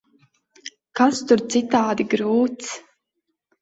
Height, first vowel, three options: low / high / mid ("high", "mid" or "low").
low